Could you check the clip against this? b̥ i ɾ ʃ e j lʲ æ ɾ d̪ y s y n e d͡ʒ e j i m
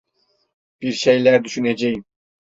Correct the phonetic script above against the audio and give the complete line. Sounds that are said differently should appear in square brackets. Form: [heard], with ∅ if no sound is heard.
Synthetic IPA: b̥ i ɾ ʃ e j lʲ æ ɾ d̪ y [ʃ] y n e d͡ʒ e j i m